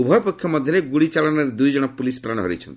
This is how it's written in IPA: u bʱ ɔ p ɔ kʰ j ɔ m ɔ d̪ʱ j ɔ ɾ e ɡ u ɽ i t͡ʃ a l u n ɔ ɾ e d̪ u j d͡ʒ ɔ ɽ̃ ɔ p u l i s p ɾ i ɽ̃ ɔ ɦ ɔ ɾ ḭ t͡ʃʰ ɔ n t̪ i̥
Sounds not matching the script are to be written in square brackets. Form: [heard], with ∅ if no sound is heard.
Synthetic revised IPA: u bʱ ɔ p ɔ kʰ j ɔ m ɔ d̪ʱ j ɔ ɾ e ɡ u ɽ i t͡ʃ a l [ɔ] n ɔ ɾ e d̪ u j d͡ʒ ɔ ɽ̃ ɔ p u l i s p ɾ [a] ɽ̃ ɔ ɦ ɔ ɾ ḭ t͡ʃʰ ɔ n t̪ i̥